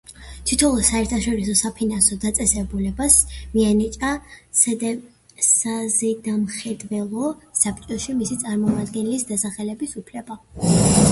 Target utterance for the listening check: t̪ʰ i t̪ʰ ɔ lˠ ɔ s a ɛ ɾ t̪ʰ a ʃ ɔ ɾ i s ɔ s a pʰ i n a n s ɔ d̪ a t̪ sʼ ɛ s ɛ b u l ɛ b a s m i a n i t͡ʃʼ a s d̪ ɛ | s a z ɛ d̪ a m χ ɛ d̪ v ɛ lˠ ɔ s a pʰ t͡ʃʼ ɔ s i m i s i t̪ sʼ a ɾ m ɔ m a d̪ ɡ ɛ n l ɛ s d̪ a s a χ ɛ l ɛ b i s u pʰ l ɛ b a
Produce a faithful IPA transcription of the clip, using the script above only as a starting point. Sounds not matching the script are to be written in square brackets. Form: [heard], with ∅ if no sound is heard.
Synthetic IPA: t̪ʰ i t̪ʰ ɔ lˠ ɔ s a ɛ ɾ t̪ʰ a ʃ ɔ ɾ i s ɔ s a pʰ i n a n s ɔ d̪ a t̪ sʼ ɛ s ɛ b u l ɛ b a s m i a n i t͡ʃʼ a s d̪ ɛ | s a z ɛ d̪ a m χ ɛ d̪ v ɛ lˠ ɔ s a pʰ t͡ʃʼ ɔ [ʃ] i m i s i t̪ sʼ a ɾ m ɔ m a d̪ ɡ ɛ n l [i] s d̪ a s a χ ɛ l ɛ b i s u pʰ l ɛ b a